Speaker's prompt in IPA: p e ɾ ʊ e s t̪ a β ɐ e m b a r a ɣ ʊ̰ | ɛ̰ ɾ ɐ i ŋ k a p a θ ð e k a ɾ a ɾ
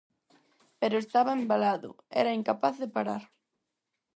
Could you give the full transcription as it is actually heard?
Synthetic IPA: p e ɾ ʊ e s t̪ a β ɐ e m b a l a ð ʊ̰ | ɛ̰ ɾ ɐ i ŋ k a p a θ ð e p a ɾ a ɾ